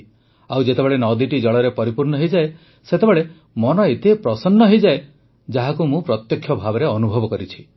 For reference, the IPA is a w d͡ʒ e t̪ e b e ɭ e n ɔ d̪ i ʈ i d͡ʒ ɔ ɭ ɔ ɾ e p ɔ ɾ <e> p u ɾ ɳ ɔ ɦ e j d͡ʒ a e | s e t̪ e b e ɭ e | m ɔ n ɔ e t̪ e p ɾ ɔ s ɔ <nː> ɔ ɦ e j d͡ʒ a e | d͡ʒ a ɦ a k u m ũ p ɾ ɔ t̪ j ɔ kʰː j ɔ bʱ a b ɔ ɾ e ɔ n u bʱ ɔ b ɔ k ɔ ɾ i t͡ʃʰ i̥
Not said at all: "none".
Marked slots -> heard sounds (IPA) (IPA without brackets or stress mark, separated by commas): i, nː